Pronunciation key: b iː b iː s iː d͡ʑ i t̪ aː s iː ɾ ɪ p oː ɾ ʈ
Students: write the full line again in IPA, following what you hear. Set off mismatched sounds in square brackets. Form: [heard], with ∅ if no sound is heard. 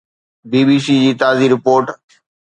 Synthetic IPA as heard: b iː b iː s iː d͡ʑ [iː] t̪ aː [z] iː ɾ ɪ p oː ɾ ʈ